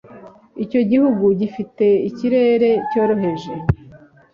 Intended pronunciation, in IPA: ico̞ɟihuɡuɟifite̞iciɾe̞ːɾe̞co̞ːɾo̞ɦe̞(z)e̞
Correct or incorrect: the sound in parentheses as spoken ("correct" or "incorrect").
incorrect